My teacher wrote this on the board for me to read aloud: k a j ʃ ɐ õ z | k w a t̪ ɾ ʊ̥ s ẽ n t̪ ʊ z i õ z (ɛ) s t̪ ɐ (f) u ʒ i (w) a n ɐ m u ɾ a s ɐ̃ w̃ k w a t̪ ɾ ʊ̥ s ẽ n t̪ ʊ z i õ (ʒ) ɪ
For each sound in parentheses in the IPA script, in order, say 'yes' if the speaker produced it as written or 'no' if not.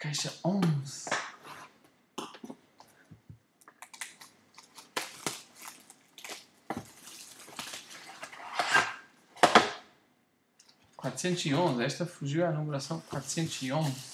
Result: yes, yes, yes, no

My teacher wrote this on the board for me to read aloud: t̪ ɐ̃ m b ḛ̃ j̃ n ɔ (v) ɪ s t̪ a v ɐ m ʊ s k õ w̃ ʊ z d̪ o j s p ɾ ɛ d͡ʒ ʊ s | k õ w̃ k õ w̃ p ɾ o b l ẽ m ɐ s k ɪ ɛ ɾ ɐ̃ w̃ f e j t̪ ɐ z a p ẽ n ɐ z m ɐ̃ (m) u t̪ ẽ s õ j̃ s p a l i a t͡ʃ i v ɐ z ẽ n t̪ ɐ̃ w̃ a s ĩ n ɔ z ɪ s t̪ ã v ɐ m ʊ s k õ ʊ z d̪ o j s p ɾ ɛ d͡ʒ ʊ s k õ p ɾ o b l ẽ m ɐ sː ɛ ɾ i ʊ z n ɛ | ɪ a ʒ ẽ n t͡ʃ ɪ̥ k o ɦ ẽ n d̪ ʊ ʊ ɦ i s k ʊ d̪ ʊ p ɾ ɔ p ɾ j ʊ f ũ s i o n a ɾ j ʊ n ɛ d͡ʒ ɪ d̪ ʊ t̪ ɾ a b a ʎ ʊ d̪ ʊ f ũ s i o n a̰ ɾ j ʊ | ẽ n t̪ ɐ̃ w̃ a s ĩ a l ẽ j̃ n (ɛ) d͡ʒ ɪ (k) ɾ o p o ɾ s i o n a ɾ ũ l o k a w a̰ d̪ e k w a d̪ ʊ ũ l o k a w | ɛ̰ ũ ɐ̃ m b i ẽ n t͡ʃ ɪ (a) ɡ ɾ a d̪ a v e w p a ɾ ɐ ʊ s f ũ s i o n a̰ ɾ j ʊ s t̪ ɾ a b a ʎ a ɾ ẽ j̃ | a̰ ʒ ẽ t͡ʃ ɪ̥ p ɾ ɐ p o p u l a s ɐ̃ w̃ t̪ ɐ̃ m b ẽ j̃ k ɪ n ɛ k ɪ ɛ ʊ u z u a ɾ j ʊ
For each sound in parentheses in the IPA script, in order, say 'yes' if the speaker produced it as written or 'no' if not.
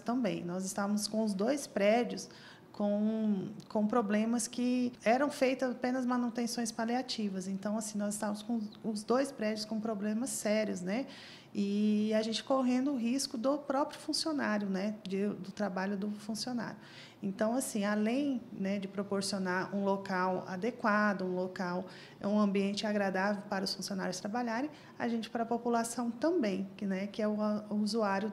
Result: no, no, yes, no, yes

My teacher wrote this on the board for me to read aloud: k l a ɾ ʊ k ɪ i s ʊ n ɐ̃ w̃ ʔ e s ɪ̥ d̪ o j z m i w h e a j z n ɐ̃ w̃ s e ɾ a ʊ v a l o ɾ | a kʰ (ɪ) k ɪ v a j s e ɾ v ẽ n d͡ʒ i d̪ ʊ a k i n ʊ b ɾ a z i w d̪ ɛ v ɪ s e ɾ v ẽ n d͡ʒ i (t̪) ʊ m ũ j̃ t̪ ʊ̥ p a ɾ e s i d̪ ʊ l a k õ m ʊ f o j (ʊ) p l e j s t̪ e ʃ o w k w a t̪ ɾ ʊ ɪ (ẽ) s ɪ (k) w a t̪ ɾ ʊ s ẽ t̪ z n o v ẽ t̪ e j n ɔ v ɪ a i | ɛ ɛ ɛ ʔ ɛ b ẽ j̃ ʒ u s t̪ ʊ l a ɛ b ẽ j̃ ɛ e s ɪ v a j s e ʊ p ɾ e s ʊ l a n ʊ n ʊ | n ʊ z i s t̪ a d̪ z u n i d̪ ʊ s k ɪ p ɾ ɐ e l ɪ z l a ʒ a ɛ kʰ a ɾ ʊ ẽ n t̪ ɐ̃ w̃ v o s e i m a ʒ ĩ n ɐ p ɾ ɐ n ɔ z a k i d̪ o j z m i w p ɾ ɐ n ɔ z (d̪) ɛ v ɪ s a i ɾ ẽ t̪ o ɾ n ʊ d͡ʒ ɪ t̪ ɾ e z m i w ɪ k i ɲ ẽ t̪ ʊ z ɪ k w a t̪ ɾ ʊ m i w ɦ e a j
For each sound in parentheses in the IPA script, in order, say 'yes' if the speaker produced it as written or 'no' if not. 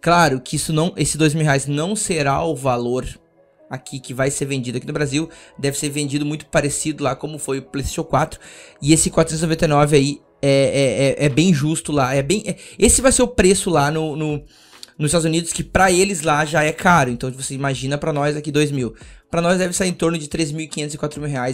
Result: no, no, yes, no, yes, yes

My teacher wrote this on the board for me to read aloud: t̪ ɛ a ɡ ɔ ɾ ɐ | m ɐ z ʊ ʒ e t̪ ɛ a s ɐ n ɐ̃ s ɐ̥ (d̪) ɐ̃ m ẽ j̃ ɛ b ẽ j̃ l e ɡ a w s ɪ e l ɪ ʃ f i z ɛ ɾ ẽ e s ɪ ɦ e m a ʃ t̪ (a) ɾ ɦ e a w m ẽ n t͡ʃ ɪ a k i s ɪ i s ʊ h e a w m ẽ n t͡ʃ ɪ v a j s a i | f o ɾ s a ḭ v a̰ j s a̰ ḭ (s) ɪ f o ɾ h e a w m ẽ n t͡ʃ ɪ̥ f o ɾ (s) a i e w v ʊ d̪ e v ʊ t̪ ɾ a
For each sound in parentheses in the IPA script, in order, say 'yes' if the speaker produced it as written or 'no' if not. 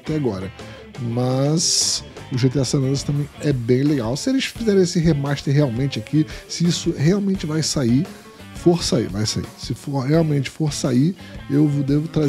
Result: no, no, yes, yes

